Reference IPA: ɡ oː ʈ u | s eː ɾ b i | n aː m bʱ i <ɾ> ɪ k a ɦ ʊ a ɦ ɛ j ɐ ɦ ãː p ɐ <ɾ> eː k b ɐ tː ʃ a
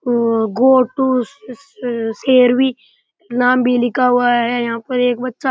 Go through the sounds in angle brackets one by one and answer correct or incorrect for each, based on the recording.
incorrect: l, correct

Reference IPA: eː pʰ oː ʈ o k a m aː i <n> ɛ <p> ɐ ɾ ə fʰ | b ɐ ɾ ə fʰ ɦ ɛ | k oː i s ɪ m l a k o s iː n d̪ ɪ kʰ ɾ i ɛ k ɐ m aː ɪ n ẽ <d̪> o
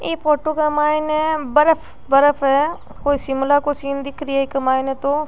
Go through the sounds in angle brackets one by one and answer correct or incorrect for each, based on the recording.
correct, incorrect: b, incorrect: t̪

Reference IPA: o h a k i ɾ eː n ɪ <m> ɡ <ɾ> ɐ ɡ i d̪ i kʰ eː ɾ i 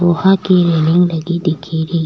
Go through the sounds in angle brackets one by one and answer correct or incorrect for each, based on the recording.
incorrect: ŋ, incorrect: l

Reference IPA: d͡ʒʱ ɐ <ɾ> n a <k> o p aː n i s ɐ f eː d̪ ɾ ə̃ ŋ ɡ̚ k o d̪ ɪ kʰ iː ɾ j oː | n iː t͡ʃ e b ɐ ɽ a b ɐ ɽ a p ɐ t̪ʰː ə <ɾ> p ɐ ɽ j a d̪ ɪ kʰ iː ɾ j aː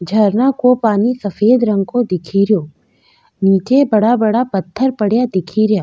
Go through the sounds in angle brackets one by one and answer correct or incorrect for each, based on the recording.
correct, correct, correct

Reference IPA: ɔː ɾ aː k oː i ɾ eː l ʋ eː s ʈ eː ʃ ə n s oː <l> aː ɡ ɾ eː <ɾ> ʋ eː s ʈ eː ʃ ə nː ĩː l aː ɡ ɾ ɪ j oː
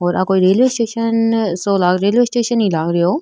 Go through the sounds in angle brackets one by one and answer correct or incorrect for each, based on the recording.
correct, incorrect: l

